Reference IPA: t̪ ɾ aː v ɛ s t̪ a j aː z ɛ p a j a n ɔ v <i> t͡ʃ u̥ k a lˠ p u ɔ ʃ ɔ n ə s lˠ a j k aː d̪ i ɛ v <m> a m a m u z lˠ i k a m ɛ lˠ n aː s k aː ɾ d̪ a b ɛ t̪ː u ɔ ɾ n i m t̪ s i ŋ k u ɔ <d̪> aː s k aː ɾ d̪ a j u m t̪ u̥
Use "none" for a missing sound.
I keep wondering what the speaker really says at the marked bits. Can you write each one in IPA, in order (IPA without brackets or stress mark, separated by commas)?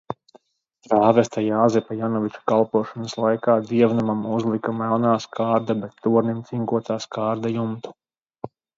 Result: i, n, t̪